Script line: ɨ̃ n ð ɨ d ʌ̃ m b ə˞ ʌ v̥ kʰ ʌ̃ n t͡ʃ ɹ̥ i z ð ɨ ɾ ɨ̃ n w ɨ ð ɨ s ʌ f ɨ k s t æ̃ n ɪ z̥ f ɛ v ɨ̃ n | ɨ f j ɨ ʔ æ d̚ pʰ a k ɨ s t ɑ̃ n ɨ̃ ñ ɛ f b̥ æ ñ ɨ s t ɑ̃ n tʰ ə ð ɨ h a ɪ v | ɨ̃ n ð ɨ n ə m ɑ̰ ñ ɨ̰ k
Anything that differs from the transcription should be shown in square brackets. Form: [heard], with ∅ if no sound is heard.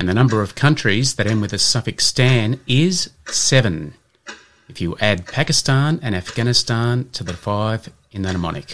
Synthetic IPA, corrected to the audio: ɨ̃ n ð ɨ [n] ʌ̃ m b ə˞ ʌ v̥ kʰ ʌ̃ n t͡ʃ ɹ̥ i z ð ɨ ɾ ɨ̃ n w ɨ ð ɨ s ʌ f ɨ k s t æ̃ n ɪ z̥ [s] ɛ v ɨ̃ n | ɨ f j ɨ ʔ æ d̚ pʰ [æ] k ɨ s t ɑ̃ n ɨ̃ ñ [æ] f [ɡ̥] æ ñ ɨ s t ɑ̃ n tʰ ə ð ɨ [f] a ɪ v | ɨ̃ n ð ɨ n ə m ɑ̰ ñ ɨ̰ k